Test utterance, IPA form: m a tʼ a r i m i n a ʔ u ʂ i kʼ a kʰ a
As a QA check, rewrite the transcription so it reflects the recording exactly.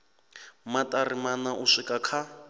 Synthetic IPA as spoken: m a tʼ a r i m a n a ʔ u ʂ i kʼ a kʰ a